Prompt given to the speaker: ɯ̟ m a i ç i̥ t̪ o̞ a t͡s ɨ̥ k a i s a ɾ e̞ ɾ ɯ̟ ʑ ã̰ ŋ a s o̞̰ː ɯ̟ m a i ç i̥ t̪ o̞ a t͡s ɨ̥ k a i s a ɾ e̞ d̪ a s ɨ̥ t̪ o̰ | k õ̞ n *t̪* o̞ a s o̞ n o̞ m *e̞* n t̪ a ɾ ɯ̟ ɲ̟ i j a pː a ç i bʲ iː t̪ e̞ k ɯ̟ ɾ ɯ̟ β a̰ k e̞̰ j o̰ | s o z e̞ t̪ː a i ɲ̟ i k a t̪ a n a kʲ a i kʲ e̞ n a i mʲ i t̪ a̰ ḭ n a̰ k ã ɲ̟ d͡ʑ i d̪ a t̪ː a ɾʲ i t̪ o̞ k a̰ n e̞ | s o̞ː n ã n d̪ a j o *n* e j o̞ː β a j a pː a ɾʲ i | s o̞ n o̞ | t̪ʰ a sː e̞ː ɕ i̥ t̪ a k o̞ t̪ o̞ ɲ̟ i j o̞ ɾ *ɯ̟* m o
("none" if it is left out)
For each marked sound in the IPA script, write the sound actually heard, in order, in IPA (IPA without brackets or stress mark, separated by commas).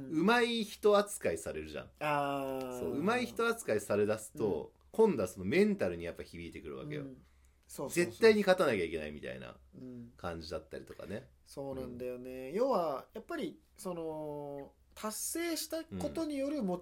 d̪, ẽ̞, n, ɯ̟